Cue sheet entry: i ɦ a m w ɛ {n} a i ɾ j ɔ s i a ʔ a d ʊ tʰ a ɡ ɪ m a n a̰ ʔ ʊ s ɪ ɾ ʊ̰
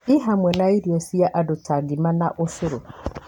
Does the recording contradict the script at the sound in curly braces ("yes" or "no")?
no